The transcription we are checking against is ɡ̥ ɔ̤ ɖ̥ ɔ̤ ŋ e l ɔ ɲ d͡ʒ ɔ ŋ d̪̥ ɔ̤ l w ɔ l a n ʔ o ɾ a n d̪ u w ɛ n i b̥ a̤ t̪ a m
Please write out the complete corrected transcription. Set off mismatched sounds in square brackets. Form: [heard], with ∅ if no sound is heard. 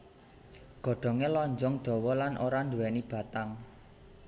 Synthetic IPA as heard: ɡ̥ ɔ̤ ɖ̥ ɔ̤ ŋ e l ɔ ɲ d͡ʒ ɔ ŋ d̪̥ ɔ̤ [∅] w ɔ l a n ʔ o ɾ a n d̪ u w ɛ n i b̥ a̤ t̪ a [ŋ]